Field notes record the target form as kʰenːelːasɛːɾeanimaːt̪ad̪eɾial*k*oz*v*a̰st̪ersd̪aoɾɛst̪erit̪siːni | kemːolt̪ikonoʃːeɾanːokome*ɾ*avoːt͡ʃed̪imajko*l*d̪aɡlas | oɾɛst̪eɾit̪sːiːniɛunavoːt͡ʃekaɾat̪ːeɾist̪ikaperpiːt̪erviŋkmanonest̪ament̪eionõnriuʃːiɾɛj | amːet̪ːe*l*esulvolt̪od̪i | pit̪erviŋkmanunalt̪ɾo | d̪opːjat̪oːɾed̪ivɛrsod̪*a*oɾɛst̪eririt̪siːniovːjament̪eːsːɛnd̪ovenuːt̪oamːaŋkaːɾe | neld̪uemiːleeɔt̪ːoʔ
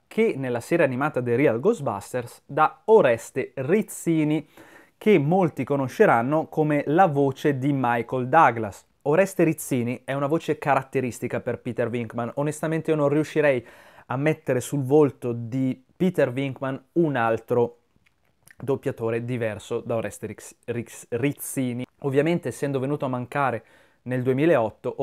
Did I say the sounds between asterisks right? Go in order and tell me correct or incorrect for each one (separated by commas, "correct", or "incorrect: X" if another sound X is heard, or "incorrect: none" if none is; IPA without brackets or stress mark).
incorrect: ɡ, incorrect: b, incorrect: l, correct, incorrect: ɾ, correct